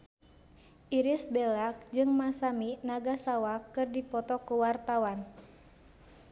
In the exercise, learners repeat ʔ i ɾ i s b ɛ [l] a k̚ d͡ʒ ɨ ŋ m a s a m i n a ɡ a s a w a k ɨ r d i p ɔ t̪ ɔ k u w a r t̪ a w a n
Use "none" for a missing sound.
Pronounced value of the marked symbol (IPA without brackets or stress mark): l